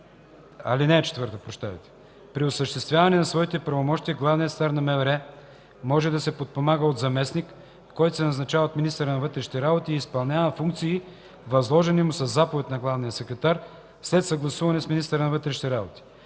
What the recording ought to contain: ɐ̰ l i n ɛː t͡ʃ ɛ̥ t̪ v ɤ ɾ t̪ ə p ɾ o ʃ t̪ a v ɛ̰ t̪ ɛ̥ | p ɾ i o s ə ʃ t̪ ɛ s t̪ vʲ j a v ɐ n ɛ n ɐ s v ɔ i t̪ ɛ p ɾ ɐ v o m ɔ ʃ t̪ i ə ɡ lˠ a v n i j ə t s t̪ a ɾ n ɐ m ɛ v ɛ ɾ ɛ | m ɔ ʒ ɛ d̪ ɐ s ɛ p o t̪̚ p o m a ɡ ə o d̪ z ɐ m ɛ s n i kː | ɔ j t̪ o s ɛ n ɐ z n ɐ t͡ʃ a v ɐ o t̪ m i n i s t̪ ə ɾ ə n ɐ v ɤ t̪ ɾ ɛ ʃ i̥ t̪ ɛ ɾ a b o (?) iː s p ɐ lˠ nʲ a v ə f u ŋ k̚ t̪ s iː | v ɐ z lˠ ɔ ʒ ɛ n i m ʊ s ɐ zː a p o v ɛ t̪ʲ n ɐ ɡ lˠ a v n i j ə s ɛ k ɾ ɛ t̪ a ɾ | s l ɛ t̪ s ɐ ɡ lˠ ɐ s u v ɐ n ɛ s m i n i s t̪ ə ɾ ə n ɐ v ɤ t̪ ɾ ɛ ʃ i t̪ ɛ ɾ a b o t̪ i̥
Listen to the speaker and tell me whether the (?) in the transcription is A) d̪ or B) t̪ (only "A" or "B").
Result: B